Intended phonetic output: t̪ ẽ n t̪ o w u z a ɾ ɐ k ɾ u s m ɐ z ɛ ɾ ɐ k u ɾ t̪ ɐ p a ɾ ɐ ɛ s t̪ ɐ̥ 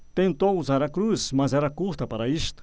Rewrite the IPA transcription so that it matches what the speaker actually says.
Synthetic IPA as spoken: t̪ ẽ n t̪ o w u z a ɾ ɐ k ɾ u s m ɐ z ɛ ɾ ɐ k u ɾ t̪ ɐ p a ɾ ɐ i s t̪ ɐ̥